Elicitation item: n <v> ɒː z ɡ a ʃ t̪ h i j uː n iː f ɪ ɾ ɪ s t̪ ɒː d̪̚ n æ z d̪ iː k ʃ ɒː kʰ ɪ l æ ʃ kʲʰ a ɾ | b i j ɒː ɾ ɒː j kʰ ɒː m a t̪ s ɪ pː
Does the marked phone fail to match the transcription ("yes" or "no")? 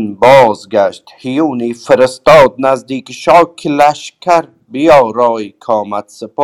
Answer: yes